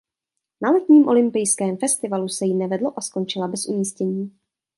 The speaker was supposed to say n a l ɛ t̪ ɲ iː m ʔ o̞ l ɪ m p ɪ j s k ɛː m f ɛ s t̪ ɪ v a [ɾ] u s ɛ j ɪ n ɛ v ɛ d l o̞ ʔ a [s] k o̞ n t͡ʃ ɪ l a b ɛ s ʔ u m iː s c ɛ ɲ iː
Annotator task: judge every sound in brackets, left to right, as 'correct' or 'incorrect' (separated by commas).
incorrect, correct